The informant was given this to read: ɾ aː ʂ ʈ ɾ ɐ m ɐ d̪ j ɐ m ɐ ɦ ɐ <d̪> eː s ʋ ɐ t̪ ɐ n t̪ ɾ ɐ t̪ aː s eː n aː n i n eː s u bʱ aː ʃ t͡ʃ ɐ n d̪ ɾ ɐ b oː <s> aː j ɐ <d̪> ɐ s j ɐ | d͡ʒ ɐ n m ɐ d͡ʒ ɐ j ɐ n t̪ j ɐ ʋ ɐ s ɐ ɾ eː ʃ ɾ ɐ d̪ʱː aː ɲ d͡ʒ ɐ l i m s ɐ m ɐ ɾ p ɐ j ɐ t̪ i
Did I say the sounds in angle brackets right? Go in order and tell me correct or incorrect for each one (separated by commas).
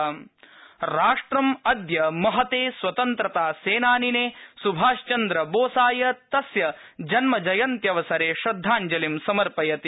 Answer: incorrect, correct, incorrect